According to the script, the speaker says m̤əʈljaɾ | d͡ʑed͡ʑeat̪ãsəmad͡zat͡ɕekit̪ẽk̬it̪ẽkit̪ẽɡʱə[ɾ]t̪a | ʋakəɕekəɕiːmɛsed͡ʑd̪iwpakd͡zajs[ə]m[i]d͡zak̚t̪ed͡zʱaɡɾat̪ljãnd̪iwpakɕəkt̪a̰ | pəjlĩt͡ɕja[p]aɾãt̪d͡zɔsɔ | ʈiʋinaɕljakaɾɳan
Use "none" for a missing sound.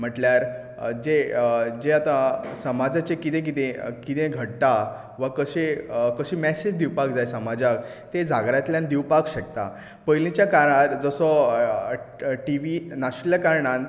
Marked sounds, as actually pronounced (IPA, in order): ɽ, ə, a, k

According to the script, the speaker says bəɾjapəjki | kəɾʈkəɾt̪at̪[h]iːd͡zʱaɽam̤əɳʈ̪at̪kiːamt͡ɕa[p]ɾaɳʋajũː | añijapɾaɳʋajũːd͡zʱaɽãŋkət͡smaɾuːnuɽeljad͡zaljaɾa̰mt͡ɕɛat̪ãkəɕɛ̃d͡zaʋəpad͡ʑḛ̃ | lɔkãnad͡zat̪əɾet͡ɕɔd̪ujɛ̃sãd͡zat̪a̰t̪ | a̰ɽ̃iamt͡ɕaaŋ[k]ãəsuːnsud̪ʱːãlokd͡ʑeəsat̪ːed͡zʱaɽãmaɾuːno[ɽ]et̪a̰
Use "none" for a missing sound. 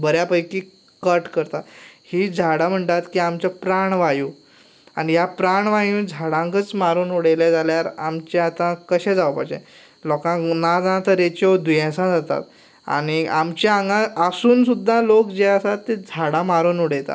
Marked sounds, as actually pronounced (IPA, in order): h, p, ɡ, ɽ

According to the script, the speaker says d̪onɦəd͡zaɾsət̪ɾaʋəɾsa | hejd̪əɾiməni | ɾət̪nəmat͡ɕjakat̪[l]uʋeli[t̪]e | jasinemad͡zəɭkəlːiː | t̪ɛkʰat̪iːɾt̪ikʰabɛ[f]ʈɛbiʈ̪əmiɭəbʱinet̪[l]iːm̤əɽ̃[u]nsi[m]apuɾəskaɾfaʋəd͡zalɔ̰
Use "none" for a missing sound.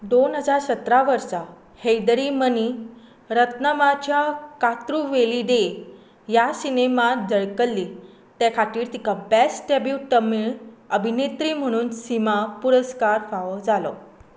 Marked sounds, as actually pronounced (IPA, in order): ɾ, d̪, s, ɾ, uː, m

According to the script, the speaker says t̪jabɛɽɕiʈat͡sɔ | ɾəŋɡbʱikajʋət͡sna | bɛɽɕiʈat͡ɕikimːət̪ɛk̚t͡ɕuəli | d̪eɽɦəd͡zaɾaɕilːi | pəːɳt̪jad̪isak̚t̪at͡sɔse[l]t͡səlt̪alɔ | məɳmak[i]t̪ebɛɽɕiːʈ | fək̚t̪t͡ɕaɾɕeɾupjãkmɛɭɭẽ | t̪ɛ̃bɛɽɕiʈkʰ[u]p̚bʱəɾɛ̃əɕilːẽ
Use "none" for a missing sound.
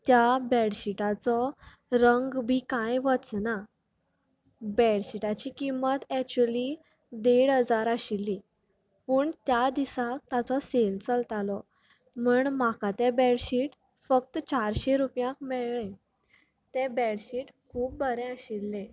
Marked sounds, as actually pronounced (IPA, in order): l, a, uː

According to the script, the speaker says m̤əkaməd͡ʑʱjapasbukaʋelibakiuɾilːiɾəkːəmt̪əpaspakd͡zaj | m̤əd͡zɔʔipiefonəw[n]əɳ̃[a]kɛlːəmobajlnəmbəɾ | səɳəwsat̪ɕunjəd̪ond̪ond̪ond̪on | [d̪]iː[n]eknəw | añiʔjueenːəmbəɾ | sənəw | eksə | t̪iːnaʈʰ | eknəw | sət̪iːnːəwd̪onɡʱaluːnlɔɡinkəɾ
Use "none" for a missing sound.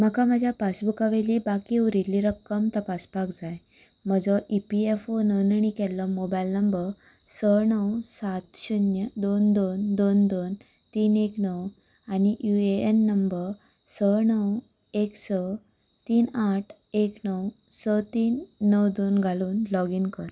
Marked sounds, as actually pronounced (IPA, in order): n, i, t̪, n

